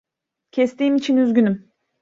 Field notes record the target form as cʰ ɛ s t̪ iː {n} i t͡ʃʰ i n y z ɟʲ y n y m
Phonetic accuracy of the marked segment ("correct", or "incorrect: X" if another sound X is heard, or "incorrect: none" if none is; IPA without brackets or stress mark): incorrect: m